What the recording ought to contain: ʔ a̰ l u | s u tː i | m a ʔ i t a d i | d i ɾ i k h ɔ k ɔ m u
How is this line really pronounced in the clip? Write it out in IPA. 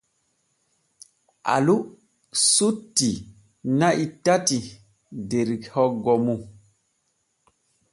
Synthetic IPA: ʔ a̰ l u | s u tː i | n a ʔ i t a t i | d e ɾ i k h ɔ ɡ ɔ m u